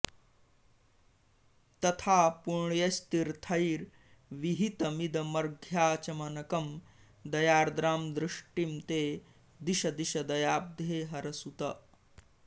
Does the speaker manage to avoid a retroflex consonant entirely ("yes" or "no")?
no